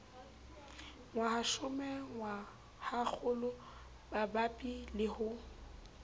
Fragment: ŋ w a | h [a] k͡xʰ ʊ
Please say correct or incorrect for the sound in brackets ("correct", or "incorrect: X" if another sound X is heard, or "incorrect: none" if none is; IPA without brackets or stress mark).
correct